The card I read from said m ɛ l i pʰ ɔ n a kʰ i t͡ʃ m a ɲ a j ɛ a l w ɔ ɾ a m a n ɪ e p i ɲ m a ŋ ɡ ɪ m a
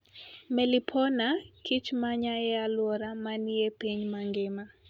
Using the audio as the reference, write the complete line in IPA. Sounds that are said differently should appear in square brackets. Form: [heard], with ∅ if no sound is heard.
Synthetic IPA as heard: m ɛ l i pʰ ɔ n a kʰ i t͡ʃ m a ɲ a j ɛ a l w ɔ ɾ a m a n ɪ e p i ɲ m a ŋ ɡ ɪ m a